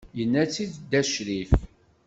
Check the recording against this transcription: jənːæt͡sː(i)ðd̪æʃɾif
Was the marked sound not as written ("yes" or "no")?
no